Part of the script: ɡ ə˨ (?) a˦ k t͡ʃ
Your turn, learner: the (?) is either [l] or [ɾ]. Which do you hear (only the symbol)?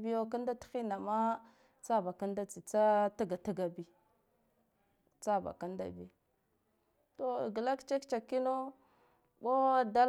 l